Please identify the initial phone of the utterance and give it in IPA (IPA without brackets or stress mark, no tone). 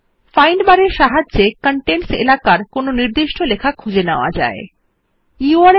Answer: f